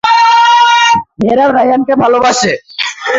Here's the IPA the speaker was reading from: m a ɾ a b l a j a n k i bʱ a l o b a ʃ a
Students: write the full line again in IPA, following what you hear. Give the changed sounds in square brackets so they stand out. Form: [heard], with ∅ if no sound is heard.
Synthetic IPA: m [e] ɾ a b [ɾ] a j a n k [e] bʱ a l o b a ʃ [e]

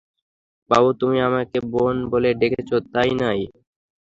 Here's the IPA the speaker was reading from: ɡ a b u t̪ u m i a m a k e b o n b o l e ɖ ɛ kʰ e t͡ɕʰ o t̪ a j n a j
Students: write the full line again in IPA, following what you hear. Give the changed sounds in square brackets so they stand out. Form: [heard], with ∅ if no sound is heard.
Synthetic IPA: [b] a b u t̪ u m i a m a k e b o n b o l e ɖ [e] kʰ e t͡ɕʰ o t̪ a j n a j

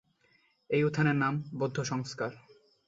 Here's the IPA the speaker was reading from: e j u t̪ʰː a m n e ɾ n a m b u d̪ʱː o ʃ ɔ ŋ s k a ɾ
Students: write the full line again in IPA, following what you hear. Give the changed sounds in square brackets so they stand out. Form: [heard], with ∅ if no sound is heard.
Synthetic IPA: e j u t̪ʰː a [∅] n e ɾ n a m b [o] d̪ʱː o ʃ ɔ ŋ s k a ɾ

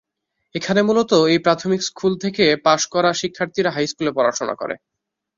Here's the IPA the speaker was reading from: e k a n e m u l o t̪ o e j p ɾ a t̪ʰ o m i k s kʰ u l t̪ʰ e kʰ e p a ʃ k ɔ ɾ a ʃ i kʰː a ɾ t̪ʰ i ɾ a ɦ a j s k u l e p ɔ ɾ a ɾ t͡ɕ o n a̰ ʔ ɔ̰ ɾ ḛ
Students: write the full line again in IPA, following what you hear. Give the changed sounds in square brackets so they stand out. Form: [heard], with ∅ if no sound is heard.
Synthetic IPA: e [kʰ] a n e m u l o t̪ o e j p ɾ a t̪ʰ o m i k s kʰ u l t̪ʰ e [k] e p a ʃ k ɔ ɾ a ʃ i kʰː a ɾ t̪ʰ i ɾ a ɦ a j s k u l e p ɔ ɾ a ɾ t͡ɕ o n a̰ [k] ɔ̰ ɾ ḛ

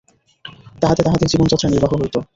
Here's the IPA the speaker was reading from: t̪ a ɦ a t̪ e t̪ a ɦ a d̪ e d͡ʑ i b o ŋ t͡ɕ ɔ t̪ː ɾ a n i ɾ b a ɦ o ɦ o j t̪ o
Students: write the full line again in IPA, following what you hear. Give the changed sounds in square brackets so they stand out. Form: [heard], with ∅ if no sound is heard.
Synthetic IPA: t̪ a ɦ a t̪ e t̪ a ɦ a [t̪] e d͡ʑ i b o [n] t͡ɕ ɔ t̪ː ɾ a n i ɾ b a ɦ o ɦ o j t̪ o

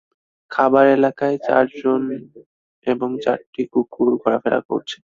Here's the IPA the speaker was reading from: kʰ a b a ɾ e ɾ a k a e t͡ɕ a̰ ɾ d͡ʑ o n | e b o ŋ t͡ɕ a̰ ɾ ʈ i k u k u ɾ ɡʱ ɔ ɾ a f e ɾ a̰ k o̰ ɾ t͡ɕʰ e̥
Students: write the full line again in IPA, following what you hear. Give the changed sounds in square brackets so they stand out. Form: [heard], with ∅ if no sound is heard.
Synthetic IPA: kʰ a b a ɾ e [l] a k a e t͡ɕ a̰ ɾ d͡ʑ o n | e b o ŋ t͡ɕ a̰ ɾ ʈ i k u k u ɾ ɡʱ ɔ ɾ a f e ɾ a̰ k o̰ ɾ t͡ɕʰ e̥

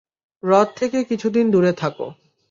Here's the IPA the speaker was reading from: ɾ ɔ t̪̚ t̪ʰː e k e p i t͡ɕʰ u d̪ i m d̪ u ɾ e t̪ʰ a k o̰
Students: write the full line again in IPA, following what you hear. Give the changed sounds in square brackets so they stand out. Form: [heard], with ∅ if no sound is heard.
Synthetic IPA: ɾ ɔ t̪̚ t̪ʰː e k e [k] i t͡ɕʰ u d̪ i [n] d̪ u ɾ e t̪ʰ a k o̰

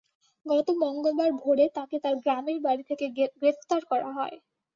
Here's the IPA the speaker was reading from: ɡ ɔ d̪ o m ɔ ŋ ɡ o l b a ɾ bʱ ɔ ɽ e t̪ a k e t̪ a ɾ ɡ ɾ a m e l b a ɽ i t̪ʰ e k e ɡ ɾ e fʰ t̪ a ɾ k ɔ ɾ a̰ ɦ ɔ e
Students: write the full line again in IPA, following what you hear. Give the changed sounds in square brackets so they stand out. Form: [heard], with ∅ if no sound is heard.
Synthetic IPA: ɡ ɔ [t̪] o m ɔ ŋ ɡ o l b a ɾ bʱ [o] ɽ e t̪ a k e t̪ a ɾ ɡ ɾ a m e [ɾ] b a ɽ i t̪ʰ e k e ɡ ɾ e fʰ t̪ a ɾ k ɔ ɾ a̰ ɦ ɔ e

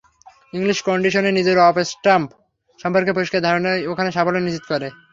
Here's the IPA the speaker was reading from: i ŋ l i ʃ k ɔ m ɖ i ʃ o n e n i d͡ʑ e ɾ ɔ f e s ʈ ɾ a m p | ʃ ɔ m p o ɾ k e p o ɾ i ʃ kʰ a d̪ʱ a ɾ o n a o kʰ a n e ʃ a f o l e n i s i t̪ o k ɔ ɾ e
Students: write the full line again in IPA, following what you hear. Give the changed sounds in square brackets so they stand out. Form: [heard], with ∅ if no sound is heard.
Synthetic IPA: i ŋ l i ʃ k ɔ [ɳ] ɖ i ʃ o n e n i d͡ʑ e ɾ ɔ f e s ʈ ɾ a m p | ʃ ɔ m p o ɾ k e p o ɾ i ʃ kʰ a d̪ʱ a ɾ o n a o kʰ a n e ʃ a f o l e n i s i t̪ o k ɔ ɾ e

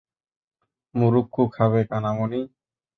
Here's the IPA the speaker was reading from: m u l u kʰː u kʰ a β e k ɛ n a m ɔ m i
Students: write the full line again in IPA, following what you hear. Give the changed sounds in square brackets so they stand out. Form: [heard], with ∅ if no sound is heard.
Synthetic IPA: m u [ɾ] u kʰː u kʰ a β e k [a] n a m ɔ [n] i

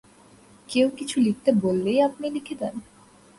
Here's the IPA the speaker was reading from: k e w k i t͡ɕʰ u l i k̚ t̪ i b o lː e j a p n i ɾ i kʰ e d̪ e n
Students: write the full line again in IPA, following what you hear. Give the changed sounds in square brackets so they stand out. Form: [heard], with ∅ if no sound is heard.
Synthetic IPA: k e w k i t͡ɕʰ u l i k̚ t̪ [e] b o lː e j a p n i [l] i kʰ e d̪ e n

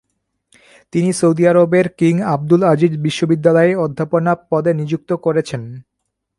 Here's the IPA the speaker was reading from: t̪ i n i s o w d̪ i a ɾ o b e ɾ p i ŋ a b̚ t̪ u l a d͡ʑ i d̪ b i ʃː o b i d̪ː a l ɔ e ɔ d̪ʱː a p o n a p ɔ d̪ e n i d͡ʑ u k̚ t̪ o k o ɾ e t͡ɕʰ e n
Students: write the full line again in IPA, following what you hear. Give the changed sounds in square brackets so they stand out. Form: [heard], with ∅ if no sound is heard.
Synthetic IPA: t̪ i n i s o w d̪ i a ɾ o b e ɾ [k] i ŋ a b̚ [d̪] u l a d͡ʑ i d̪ b i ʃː o b i d̪ː a l ɔ e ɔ d̪ʱː a p o n a p ɔ d̪ e n i d͡ʑ u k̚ t̪ o k o ɾ e t͡ɕʰ e n

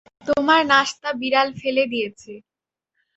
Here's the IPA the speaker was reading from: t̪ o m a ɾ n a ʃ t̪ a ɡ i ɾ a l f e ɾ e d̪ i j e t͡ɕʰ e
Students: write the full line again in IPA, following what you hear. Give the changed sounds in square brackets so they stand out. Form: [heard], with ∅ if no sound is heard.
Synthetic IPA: t̪ o m a ɾ n a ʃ t̪ a [b] i ɾ a l f e [l] e d̪ i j e t͡ɕʰ e

